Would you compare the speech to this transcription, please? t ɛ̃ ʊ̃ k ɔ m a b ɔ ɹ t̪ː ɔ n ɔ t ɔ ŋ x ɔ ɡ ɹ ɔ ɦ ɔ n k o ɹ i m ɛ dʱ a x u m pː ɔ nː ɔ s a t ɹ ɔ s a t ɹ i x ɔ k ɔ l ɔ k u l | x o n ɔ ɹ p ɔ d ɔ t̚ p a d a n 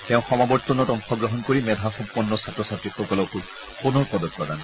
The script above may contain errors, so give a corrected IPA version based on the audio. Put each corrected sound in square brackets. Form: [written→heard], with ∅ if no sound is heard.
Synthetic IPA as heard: t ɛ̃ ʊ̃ [k→x] ɔ m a b ɔ ɹ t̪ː ɔ n ɔ t ɔ ŋ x ɔ ɡ ɹ ɔ ɦ ɔ n k o ɹ i m ɛ dʱ a x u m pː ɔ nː ɔ s a t ɹ ɔ s a t ɹ i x ɔ k ɔ l ɔ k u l | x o n ɔ ɹ p ɔ d ɔ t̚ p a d a n